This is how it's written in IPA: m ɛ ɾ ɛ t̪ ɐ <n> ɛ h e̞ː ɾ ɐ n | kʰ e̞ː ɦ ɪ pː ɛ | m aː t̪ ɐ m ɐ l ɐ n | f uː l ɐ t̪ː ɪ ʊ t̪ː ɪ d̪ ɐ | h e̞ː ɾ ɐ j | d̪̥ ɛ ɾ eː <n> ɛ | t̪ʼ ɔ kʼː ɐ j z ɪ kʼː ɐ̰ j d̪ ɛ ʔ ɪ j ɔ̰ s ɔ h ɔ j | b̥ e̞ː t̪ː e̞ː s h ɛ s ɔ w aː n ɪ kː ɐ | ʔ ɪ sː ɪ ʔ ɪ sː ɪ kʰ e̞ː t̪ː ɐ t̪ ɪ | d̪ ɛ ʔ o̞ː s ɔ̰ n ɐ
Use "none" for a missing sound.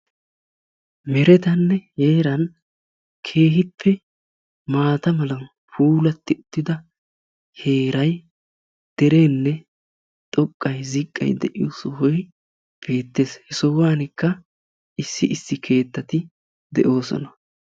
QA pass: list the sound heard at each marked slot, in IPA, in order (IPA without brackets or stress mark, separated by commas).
nː, nː